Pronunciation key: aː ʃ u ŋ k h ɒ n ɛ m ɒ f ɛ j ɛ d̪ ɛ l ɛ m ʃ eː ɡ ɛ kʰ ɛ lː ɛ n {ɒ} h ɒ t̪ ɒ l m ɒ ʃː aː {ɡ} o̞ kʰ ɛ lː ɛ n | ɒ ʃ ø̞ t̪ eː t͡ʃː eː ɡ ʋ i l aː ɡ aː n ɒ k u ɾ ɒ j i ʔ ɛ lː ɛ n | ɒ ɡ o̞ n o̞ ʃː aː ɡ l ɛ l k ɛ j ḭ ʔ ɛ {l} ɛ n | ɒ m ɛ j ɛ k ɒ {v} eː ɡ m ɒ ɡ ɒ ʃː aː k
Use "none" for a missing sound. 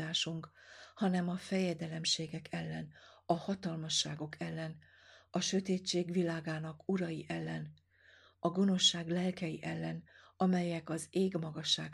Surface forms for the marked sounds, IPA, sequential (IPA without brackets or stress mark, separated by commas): ɒ, ɡ, lː, z